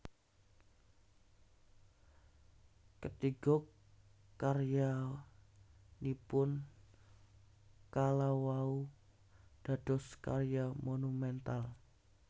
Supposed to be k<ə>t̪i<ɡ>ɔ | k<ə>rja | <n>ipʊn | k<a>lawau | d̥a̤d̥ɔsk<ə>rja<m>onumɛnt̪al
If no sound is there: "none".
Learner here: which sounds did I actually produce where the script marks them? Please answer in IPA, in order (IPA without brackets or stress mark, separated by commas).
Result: ə, ɡ, a, n, a, a, m